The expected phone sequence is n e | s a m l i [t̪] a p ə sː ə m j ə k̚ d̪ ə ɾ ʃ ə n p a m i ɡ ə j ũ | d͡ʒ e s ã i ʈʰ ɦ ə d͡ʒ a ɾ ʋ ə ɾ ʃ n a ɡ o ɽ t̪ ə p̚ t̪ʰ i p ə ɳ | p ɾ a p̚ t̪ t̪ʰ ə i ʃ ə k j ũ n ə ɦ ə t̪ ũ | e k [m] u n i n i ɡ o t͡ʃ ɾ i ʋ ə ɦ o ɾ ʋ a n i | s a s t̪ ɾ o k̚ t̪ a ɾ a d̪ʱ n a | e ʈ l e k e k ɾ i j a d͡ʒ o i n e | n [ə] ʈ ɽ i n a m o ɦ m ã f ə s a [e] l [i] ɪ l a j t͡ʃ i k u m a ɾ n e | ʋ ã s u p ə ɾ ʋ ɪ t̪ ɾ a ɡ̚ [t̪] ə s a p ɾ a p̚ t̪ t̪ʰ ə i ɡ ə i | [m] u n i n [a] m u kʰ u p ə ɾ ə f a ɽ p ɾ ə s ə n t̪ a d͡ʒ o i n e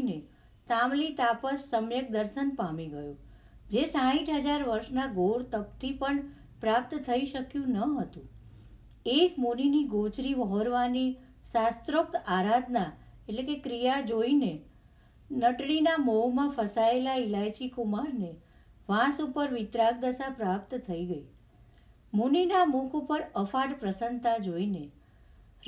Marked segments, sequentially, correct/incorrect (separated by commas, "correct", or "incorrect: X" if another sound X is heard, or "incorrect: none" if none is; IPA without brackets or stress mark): correct, correct, correct, correct, incorrect: a, incorrect: d̪, correct, correct